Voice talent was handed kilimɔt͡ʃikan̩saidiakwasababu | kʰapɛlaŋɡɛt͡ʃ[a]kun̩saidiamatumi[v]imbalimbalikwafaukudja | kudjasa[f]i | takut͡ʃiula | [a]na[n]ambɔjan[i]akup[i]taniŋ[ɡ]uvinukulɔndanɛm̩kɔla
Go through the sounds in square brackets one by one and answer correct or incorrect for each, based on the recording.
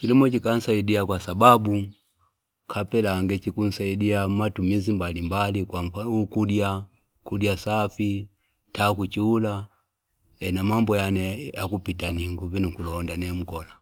incorrect: i, incorrect: z, correct, incorrect: ɛ, incorrect: m, incorrect: ɛ, correct, correct

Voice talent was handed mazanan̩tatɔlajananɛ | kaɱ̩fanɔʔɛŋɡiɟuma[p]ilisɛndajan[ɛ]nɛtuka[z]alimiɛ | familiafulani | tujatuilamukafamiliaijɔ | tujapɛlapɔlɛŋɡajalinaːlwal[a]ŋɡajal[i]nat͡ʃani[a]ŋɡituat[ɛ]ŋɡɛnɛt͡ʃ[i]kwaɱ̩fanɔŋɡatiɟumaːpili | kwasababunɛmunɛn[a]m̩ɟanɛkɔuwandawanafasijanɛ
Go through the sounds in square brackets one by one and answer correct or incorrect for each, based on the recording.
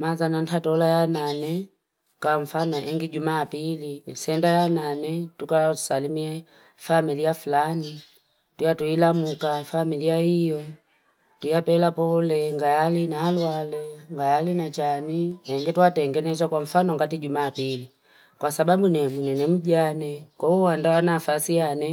correct, incorrect: a, incorrect: s, incorrect: ɛ, correct, incorrect: ɛ, correct, incorrect: a, incorrect: ɛ

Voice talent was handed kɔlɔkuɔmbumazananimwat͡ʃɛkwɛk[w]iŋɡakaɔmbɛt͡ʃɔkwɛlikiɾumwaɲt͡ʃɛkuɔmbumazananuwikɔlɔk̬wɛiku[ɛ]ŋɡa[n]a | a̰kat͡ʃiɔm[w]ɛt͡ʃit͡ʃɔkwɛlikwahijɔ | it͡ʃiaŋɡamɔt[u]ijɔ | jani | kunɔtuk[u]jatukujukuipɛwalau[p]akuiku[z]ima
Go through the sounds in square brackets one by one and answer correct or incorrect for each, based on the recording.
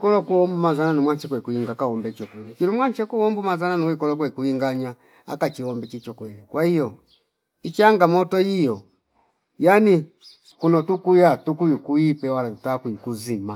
incorrect: u, incorrect: i, incorrect: ɲ, incorrect: b, incorrect: ɔ, correct, incorrect: t, correct

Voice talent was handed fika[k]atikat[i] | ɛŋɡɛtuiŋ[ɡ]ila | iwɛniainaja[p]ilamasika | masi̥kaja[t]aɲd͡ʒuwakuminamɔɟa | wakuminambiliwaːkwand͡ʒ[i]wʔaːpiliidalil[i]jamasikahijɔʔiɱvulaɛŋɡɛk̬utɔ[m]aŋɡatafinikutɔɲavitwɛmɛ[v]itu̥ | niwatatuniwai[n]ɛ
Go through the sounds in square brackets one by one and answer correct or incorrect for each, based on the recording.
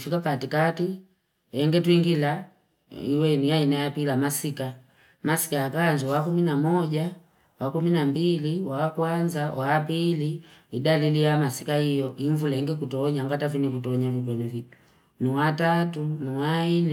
incorrect: p, correct, correct, correct, incorrect: k, incorrect: a, correct, incorrect: ɲ, correct, correct

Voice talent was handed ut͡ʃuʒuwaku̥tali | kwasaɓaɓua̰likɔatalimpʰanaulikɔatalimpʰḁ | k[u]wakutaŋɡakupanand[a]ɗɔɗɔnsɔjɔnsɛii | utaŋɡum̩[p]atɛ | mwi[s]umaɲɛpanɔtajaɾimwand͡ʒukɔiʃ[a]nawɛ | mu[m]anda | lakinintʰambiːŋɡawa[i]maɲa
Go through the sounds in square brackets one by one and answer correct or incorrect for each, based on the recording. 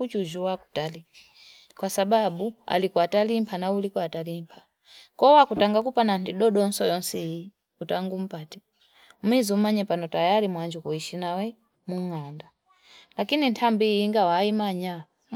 incorrect: ɔ, incorrect: i, correct, incorrect: z, incorrect: i, incorrect: ŋ, correct

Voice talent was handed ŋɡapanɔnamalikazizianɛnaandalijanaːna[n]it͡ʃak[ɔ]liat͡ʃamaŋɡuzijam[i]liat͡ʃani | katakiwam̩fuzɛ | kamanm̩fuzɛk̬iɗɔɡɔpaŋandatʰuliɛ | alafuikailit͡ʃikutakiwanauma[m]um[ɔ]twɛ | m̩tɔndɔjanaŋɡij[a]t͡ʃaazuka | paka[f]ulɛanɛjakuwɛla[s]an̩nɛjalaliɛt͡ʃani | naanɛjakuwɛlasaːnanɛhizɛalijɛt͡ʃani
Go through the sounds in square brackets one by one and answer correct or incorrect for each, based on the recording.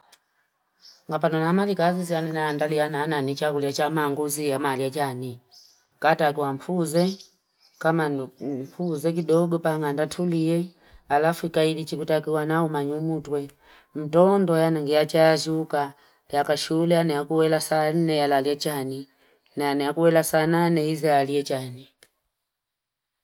correct, incorrect: u, incorrect: a, incorrect: ɲ, incorrect: u, correct, incorrect: ʃ, correct

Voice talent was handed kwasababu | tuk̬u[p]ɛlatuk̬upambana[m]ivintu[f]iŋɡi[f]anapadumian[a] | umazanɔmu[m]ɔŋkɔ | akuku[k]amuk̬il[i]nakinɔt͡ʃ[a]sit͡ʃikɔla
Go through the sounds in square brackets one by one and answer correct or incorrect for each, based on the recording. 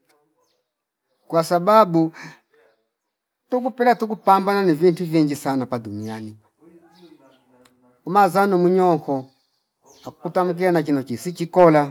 correct, incorrect: n, incorrect: v, incorrect: s, incorrect: i, incorrect: ɲ, incorrect: t, incorrect: a, incorrect: i

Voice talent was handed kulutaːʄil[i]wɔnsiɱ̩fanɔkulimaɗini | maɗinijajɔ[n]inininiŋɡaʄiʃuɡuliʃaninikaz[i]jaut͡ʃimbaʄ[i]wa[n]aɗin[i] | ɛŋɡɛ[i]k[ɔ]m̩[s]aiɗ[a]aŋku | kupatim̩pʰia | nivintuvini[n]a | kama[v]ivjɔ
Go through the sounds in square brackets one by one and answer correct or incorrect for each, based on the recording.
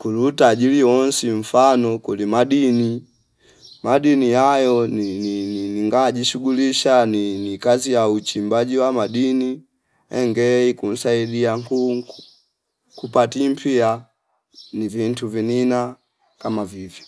correct, correct, correct, correct, incorrect: m, correct, correct, incorrect: u, correct, incorrect: i, correct, correct

